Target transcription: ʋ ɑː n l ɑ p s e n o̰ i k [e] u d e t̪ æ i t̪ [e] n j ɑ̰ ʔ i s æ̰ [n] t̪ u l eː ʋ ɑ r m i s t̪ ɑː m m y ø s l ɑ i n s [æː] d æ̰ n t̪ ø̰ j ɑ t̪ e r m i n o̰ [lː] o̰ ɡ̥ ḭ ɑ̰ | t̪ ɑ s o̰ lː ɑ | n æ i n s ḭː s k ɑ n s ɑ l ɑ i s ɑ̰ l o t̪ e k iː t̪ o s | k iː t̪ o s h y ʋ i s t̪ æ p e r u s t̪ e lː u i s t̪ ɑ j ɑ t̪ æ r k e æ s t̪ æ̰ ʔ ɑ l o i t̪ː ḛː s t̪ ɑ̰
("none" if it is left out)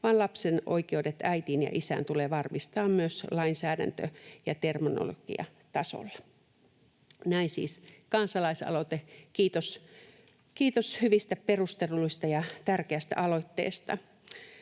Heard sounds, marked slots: e, i, n, æː, l

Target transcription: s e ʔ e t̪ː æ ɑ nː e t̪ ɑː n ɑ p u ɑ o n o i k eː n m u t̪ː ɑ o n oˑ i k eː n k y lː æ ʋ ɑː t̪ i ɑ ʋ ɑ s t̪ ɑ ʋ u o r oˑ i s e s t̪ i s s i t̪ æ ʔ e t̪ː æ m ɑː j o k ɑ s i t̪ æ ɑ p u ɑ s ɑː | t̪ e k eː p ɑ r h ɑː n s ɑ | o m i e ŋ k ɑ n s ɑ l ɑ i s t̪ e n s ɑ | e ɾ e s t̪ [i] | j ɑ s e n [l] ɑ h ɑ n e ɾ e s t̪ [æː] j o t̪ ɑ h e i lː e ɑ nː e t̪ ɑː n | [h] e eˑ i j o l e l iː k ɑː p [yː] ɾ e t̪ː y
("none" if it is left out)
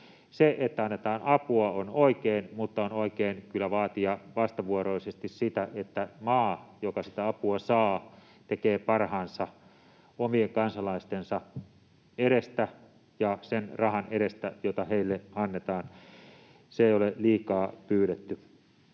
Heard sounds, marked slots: æ, r, æ, s, yː

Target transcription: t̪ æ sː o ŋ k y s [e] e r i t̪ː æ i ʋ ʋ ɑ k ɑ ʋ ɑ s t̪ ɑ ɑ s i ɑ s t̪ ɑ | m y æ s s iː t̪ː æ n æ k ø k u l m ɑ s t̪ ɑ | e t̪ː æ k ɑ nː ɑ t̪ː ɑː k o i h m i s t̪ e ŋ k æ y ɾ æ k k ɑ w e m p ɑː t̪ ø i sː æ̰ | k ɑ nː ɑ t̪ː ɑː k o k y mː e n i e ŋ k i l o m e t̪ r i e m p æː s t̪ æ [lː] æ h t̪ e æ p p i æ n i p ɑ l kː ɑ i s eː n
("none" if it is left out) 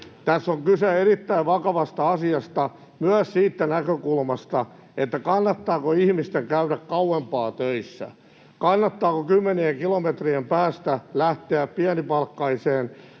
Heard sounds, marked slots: e, l

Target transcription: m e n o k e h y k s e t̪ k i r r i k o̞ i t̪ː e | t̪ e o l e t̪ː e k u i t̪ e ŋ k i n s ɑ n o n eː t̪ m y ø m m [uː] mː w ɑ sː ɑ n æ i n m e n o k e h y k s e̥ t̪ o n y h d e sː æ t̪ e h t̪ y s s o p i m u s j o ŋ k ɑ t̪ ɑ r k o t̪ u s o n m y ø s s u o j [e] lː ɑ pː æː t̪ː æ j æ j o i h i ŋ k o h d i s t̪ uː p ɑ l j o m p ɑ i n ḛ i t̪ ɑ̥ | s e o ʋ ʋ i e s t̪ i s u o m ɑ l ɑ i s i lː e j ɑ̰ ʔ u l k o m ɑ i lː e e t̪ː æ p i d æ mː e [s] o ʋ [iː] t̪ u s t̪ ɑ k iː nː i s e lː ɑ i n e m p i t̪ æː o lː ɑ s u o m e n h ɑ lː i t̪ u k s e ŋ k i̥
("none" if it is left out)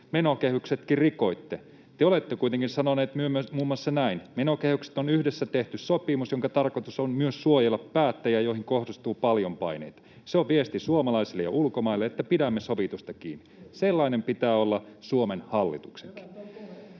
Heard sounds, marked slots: uː, e, s, i

